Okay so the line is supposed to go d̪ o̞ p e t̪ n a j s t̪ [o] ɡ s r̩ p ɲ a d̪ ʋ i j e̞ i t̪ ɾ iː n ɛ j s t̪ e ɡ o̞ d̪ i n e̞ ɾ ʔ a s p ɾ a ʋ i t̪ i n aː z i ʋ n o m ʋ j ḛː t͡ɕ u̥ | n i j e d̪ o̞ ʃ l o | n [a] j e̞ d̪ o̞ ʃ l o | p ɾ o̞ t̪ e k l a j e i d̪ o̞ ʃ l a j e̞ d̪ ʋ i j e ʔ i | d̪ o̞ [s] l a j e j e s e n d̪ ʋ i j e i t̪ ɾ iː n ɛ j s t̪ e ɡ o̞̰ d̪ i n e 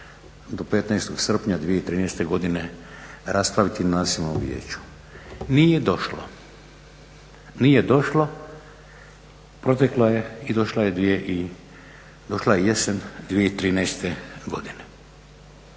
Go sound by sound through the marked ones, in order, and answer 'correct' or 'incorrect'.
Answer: correct, incorrect: i, incorrect: ʃ

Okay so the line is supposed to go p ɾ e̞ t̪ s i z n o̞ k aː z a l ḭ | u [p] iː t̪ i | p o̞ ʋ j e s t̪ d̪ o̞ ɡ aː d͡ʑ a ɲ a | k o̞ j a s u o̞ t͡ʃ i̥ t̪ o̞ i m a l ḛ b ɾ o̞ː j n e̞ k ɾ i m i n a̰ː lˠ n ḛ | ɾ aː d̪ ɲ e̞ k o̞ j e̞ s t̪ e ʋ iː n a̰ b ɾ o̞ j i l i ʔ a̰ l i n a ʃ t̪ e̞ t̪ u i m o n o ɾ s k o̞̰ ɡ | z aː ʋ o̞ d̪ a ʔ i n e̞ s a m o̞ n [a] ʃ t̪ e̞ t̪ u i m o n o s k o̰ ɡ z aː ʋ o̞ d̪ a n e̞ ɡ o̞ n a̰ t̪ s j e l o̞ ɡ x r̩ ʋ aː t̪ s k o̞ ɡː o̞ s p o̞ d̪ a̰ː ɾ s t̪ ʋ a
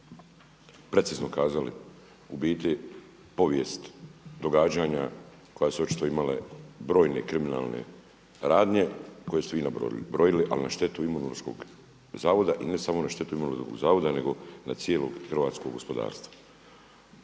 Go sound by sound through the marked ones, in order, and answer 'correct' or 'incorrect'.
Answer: incorrect: b, correct

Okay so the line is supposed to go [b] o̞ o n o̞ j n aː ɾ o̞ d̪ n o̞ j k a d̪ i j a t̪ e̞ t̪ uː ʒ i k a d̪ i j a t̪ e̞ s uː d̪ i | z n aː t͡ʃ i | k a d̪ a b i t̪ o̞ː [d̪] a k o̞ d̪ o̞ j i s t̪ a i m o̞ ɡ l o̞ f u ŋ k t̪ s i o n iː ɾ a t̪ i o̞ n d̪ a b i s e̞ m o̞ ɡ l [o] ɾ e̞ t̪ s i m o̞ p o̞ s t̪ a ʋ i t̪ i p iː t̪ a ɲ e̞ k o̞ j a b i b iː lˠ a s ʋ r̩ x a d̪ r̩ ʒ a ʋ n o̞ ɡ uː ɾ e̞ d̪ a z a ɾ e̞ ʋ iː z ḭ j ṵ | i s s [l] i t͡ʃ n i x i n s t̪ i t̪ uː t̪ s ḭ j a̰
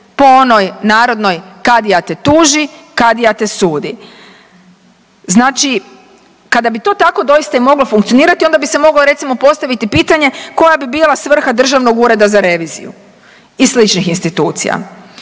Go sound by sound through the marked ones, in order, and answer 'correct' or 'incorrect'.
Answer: incorrect: p, incorrect: t̪, correct, correct

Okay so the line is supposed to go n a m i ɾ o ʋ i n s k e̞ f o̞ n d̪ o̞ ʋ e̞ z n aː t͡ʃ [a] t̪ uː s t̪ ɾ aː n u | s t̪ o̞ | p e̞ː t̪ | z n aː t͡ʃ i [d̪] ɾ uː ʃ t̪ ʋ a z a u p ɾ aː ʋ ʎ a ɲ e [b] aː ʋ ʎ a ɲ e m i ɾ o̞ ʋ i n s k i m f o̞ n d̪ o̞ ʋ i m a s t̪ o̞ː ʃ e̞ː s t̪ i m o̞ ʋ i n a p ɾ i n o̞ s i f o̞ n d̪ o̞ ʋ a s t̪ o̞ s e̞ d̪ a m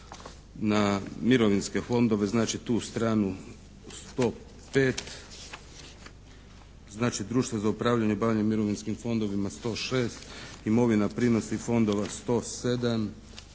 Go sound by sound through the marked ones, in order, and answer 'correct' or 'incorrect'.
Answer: incorrect: i, correct, correct

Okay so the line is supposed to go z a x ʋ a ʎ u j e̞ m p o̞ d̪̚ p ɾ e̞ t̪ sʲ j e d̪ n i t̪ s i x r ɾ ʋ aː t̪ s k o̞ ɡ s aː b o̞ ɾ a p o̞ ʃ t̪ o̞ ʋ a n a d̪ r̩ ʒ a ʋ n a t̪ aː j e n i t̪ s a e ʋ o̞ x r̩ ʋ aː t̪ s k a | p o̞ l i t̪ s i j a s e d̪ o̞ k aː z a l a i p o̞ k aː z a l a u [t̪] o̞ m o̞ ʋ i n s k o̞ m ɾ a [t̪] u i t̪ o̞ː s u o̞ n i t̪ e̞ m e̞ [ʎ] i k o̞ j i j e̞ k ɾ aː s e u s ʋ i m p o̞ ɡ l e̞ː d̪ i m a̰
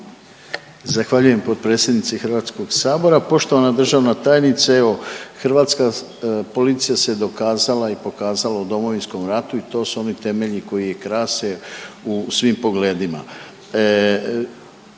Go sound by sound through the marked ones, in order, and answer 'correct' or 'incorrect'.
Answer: incorrect: d̪, correct, correct

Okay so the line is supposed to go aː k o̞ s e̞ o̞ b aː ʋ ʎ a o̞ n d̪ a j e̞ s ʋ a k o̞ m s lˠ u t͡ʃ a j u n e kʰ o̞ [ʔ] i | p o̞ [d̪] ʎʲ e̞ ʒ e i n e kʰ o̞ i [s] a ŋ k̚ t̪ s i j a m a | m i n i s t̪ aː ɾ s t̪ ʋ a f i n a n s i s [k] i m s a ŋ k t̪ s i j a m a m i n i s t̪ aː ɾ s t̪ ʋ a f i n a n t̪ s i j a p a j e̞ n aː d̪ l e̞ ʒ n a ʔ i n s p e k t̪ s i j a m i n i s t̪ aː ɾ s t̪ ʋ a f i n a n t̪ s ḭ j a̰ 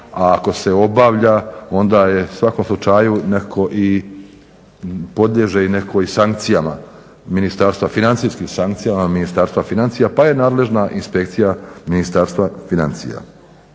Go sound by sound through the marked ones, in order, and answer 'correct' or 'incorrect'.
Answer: correct, correct, correct, correct

